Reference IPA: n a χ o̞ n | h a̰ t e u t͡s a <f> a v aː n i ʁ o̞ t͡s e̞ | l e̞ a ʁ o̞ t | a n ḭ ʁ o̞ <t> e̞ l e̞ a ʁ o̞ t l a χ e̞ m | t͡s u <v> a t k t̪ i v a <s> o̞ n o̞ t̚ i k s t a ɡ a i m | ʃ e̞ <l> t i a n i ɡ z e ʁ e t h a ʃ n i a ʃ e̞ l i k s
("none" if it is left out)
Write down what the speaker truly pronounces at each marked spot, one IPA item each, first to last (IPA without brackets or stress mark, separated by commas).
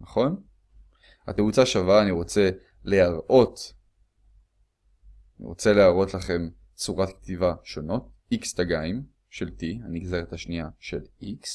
ʃ, t͡s, ʁ, ʃ, l